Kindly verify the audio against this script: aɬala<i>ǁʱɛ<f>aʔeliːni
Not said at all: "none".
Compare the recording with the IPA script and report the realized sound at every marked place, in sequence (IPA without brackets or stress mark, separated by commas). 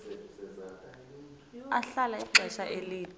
i, ʃ